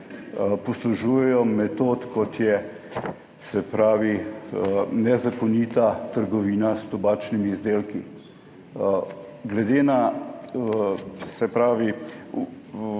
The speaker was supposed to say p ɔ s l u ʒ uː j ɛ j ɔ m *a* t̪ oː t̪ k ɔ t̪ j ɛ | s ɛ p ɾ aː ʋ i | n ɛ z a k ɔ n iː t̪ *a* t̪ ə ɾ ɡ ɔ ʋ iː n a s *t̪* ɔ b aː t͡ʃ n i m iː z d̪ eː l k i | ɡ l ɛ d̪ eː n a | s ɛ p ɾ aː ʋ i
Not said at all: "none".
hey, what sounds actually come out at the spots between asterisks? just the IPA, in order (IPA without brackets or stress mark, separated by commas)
ɛ, a, t̪